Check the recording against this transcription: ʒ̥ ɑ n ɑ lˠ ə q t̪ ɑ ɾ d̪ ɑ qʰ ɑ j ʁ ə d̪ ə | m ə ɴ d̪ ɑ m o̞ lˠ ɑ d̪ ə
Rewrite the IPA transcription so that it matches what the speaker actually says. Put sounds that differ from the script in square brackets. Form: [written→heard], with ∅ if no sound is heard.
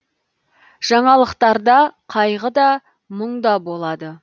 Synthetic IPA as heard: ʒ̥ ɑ [n→ɴ] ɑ lˠ ə q t̪ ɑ ɾ d̪ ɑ qʰ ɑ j ʁ ə d̪ [ə→ɑ] | m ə ɴ d̪ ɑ [m→b] o̞ lˠ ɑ d̪ ə